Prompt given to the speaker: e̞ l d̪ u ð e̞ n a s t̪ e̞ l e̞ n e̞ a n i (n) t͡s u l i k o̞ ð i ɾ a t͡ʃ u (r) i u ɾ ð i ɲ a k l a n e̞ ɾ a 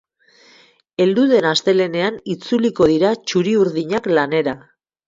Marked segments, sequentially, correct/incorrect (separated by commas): incorrect, incorrect